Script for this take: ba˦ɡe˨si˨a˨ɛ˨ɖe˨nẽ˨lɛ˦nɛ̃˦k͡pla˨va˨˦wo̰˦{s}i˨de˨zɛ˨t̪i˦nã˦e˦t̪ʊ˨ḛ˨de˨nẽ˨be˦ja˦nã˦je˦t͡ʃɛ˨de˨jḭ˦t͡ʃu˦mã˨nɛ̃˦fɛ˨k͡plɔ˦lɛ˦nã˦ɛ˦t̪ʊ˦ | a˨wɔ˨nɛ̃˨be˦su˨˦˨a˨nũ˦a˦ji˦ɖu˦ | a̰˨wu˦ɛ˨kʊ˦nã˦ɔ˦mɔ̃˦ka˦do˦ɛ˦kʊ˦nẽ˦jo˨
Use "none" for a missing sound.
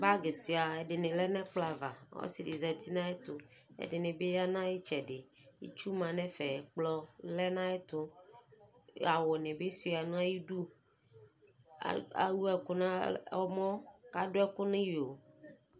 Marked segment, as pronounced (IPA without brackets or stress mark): s